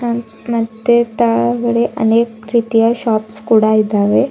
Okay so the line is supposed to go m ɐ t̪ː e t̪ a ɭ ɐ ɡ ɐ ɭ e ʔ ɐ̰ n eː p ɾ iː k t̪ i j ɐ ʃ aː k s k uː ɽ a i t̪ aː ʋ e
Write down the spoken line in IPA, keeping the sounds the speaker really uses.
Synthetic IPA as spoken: m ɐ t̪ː e t̪ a ɭ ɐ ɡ ɐ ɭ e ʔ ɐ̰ n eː k ɾ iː t̪ i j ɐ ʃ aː p s k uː ɽ a i d̪ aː ʋ e